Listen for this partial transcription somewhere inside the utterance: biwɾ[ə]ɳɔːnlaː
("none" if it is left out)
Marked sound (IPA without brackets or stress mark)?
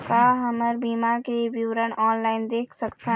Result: ə